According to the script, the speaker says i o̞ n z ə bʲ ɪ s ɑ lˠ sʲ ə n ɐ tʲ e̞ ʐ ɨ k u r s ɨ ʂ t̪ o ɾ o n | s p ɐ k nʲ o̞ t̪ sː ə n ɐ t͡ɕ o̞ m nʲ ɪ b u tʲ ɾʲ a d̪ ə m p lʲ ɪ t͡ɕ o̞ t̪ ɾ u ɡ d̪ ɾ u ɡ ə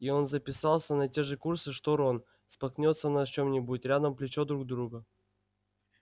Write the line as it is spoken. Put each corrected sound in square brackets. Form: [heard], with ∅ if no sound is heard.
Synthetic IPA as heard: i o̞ n z ə [pʲ] ɪ s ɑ lˠ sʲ ə n ɐ tʲ e̞ ʐ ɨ k u r s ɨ ʂ t̪ o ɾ o n | s p ɐ k nʲ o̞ t̪ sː ə n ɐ t͡ɕ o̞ m nʲ ɪ b u tʲ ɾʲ a d̪ ə m p lʲ ɪ t͡ɕ o̞ [d̪] ɾ u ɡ d̪ ɾ u ɡ ə